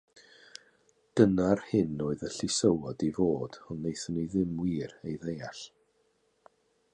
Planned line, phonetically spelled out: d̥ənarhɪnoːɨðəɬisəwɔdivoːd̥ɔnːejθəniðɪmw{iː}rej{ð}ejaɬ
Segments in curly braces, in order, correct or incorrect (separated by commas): correct, correct